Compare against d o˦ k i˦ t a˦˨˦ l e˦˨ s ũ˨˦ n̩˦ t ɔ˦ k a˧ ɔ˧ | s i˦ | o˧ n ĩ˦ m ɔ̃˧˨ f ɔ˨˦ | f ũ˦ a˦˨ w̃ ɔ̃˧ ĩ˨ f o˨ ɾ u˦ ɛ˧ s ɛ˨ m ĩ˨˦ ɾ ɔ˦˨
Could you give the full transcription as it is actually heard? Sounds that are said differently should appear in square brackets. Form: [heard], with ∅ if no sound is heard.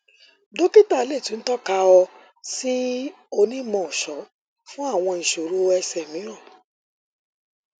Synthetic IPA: d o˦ k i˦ t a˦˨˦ l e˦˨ [t] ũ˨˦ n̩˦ t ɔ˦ k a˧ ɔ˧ | s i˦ | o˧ n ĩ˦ m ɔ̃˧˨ [ʃ] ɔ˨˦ | f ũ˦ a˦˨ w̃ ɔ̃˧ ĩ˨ [ʃ] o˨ ɾ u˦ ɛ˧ s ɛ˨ m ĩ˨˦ ɾ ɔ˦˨